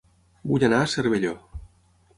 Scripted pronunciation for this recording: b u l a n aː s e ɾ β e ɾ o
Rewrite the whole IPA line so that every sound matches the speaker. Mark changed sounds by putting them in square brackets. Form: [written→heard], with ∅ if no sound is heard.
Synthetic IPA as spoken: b u [l→ʎ] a n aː s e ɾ β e [ɾ→ʎ] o